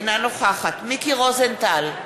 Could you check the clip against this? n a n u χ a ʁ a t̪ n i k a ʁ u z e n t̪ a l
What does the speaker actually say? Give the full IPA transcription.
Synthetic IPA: n a n o χ a χ a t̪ m i k i ʁ o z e n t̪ a l

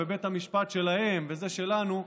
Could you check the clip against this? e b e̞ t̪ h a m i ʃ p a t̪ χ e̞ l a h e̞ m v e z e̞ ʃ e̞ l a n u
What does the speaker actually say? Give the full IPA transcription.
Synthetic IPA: e b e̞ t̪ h a m i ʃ p a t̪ ʃ e̞ l a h e̞ m v e z e̞ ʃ e̞ l a n u

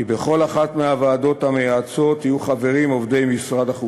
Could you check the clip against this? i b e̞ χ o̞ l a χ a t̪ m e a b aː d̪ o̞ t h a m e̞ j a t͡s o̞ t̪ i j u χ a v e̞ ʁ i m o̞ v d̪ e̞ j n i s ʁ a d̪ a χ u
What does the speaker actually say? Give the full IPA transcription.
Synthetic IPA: i b e̞ χ o̞ l a χ a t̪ m e a v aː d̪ o̞ t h a m e̞ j a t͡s o̞ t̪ i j u χ a v e̞ ʁ i m o̞ v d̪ e̞ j m i s ʁ a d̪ a χ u

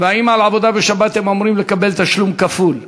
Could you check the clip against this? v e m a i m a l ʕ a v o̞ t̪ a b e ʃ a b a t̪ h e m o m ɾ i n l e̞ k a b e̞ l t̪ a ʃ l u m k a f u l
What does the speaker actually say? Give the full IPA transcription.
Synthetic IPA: v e a i m a l ʕ a v o̞ d̪ a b e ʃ a b a t̪ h e m o m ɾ i m l e̞ k a b e̞ l t̪ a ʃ l u m k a f u l

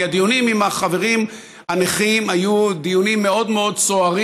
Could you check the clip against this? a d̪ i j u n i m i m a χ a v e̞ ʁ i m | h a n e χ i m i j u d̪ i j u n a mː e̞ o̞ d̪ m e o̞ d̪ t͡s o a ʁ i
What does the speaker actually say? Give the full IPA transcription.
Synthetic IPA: a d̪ i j u n i m i m a χ a v e̞ ʁ i m | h a n e χ i m a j u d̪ i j u n i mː e̞ o̞ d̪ m e o̞ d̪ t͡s o a ʁ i

